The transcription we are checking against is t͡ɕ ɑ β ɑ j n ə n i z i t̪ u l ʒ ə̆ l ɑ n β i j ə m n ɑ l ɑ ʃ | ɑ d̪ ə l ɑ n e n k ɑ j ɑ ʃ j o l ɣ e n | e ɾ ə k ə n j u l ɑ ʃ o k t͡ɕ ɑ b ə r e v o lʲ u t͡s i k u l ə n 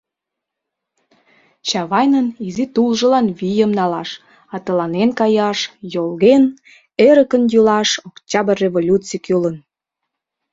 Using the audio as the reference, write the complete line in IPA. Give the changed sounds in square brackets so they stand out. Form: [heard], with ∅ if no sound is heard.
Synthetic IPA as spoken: t͡ɕ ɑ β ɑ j n ə n i z i t̪ u l ʒ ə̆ l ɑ n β i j ə m n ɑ l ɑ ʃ | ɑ [t̪] ə l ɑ n e n k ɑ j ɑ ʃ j o l ɣ e n | e ɾ ə k ə n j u l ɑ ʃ o k t͡ɕ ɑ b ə r e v o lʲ u t͡s i k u l ə n